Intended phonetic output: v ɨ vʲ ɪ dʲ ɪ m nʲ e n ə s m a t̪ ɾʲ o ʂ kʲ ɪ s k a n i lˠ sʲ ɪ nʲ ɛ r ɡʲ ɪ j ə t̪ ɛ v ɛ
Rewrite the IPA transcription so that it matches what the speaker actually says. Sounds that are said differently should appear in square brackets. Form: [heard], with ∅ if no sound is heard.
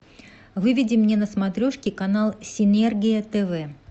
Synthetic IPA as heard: v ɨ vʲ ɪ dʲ ɪ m nʲ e n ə s m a t̪ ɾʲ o ʂ kʲ ɪ [∅] k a n [a] lˠ sʲ ɪ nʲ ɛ r ɡʲ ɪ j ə t̪ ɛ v ɛ